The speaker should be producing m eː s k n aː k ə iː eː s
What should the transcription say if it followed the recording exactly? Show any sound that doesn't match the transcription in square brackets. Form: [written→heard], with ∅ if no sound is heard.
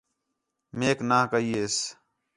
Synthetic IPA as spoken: m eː [s→∅] k n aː k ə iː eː s